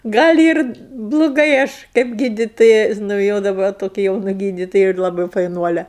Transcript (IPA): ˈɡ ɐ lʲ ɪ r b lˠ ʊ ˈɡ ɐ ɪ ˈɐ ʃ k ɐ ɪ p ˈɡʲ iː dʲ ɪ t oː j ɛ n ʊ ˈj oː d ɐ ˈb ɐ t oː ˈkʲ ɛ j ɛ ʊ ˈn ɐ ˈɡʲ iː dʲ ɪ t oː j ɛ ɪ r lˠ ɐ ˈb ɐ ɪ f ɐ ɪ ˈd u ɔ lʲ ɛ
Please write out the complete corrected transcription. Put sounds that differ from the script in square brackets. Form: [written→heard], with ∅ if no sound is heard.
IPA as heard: ˈɡ ɐ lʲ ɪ r b lˠ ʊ ˈɡ ɐ ɪ ˈɐ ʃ k ɐ ɪ p ˈɡʲ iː dʲ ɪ t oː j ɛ n ʊ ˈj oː d ɐ ˈb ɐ t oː ˈkʲ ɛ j ɛ ʊ ˈn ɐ ˈɡʲ iː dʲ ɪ t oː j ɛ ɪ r lˠ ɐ ˈb ɐ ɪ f ɐ ɪ [ˈd→ˈn] u ɔ lʲ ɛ